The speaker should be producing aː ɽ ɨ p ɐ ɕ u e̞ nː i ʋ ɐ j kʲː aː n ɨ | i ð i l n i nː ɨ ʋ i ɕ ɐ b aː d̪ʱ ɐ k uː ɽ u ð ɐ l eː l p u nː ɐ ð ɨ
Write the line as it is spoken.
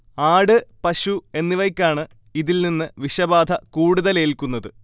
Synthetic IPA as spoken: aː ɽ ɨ p ɐ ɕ u e̞ nː i ʋ ɐ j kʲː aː ɳ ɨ | i ð i l n i nː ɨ ʋ i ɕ ɐ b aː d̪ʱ ɐ k uː ɽ u ð ɐ l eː l k u nː ɐ ð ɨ

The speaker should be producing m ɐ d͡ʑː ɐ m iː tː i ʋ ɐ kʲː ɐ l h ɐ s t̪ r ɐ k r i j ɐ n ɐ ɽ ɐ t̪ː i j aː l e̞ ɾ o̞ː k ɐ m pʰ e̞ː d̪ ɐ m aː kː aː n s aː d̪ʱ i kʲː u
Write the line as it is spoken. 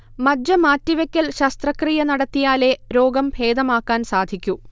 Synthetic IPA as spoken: m ɐ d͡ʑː ɐ m aː tː i ʋ ɐ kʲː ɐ l ɕ ɐ s t̪ r ɐ k r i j ɐ n ɐ ɽ ɐ t̪ː i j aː l e̞ ɾ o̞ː ɡ ɐ m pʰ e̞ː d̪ ɐ m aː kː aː n s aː d̪ʱ i kʲː u

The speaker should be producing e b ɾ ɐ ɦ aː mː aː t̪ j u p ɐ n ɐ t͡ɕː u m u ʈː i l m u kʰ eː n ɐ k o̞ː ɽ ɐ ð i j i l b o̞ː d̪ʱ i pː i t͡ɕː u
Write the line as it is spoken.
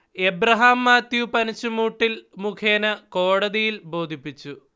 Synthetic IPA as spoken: e b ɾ ɐ ɦ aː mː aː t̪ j u p ɐ n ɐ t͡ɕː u m uː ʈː i l m u kʰ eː n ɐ k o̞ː ɽ ɐ ð i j i l b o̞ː d̪ʱ i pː i t͡ɕː u

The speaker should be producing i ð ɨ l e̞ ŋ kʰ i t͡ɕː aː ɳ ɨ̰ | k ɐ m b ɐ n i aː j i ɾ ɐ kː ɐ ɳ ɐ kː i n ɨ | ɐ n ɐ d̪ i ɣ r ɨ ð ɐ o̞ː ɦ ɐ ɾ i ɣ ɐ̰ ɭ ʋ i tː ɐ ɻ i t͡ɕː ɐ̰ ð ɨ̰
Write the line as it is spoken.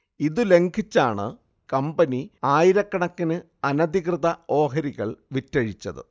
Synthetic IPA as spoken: i ð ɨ l e̞ ŋ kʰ i t͡ɕː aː ɳ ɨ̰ | k ɐ m b ɐ n i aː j i ɾ ɐ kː ɐ ɳ ɐ kː i n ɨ | ɐ n ɐ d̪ i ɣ r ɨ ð ɐ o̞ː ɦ ɐ ɾ i ɣ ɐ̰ ɭ ʋ i tː ɐ ɻ i t͡ɕː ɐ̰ ð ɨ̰

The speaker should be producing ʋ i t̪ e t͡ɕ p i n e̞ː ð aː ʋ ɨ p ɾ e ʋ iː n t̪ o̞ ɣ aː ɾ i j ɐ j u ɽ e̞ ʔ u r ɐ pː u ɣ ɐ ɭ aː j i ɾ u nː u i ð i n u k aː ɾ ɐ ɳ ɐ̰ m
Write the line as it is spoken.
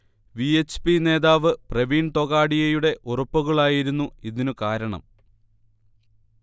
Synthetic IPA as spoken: ʋ i e t͡ɕ p i n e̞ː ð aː ʋ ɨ p r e ʋ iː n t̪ o̞ ɣ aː ɽ i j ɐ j u ɽ e̞ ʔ u r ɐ pː u ɣ ɐ ɭ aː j i ɾ u nː u i ð i n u k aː ɾ ɐ ɳ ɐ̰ m

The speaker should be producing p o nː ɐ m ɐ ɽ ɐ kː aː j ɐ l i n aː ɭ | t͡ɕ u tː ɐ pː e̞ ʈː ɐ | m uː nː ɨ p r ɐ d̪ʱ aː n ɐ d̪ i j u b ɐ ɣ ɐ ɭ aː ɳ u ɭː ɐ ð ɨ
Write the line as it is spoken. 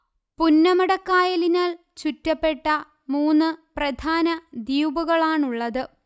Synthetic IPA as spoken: p u nː ɐ m ɐ ɽ ɐ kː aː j ɐ l i n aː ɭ | t͡ɕ u tː ɐ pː e̞ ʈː ɐ | m uː nː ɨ p r ɐ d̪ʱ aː n ɐ d̪ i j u b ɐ ɣ ɐ ɭ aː ɳ u ɭː ɐ ð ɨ

